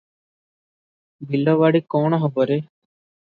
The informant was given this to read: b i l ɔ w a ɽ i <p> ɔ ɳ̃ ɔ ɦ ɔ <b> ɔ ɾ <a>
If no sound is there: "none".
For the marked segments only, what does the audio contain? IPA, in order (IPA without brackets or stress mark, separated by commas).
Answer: k, b, e